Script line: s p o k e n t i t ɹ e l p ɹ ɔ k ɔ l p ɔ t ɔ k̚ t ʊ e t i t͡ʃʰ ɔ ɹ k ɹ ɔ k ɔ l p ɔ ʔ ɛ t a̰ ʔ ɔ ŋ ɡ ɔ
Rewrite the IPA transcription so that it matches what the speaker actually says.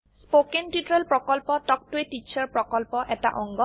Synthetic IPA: s p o k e n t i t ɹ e l p ɹ ɔ k ɔ l p ɔ t ɔ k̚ t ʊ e t i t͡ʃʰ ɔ ɹ p ɹ ɔ k ɔ l p ɔ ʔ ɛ t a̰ ʔ ɔ ŋ ɡ ɔ